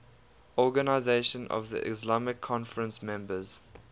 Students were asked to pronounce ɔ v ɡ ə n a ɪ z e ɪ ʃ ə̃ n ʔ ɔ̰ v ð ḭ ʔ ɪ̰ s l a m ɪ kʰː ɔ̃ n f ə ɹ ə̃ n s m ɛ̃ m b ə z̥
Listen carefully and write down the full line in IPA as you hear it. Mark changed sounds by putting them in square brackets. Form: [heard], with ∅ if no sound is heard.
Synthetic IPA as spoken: ɔ [∅] ɡ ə n a ɪ z e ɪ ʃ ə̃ n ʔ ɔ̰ v ð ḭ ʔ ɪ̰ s l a m ɪ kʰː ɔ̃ n f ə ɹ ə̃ n s m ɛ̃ m b ə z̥